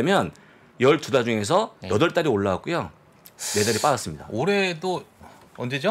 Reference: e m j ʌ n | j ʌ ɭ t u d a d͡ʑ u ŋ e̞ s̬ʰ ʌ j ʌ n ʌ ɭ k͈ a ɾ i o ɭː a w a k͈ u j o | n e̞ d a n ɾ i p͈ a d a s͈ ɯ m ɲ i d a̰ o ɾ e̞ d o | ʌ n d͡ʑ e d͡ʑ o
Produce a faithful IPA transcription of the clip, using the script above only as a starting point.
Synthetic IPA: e m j ʌ n | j ʌ ɭ t u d a d͡ʑ u ŋ e̞ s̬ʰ ʌ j ʌ d ʌ ɭ t͈ a ɾ i o ɭː a w a k͈ u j o | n e̞ d a ɾ i p͈ a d a s͈ ɯ m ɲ i d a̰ o ɾ e̞ d o | ʌ n d͡ʑ e d͡ʑ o